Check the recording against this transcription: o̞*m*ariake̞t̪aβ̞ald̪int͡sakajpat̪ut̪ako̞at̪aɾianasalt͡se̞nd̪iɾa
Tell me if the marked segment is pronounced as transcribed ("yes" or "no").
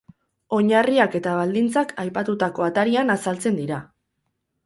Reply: no